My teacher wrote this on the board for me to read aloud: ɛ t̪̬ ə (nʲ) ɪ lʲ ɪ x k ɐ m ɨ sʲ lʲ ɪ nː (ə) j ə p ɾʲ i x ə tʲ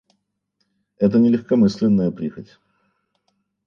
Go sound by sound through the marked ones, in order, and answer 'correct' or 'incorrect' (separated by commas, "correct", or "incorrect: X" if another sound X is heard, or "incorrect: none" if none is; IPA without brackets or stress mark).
correct, correct